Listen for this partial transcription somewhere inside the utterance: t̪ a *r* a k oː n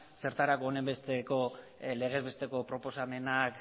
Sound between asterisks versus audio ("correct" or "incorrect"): incorrect